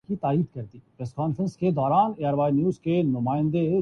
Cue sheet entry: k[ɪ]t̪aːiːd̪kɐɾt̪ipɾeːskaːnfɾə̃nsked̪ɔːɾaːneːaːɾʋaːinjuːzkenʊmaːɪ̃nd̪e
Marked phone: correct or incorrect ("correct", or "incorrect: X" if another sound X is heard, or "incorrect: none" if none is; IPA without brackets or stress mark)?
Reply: incorrect: i